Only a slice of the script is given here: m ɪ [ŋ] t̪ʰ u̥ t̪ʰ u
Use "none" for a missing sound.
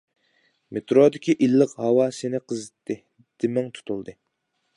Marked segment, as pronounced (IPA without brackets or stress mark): ŋ